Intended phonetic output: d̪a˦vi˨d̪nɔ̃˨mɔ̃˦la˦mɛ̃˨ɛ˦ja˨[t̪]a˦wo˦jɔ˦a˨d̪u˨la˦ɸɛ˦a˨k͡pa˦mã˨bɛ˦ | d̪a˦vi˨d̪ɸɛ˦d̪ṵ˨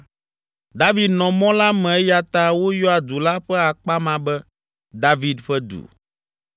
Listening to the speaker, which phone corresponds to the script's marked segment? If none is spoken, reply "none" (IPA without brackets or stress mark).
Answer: t̪